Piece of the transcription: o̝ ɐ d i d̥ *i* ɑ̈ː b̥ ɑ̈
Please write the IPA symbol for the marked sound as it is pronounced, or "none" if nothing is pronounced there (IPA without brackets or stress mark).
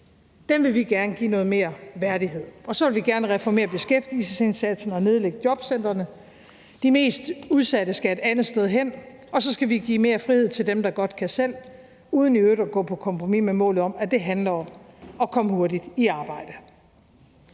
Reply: i